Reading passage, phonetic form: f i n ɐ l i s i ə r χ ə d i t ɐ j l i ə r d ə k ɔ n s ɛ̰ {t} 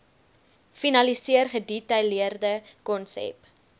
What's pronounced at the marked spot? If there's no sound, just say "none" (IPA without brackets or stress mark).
p